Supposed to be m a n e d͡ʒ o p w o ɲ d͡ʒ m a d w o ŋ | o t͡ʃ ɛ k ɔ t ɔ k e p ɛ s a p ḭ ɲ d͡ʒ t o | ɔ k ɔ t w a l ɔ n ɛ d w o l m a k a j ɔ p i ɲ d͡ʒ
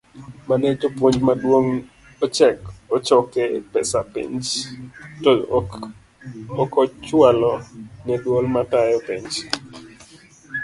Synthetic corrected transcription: m a n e d͡ʒ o p w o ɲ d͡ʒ m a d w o ŋ | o t͡ʃ ɛ k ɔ t͡ʃ ɔ k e p ɛ s a p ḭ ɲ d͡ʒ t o | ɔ k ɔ t͡ʃ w a l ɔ n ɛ d w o l m a t a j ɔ p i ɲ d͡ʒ